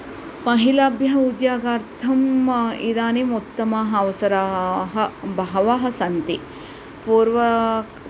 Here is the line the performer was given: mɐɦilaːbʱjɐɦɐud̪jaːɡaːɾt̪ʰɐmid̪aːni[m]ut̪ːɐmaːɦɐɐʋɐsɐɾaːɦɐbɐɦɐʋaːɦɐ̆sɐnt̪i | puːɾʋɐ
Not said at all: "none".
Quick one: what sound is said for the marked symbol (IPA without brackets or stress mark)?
m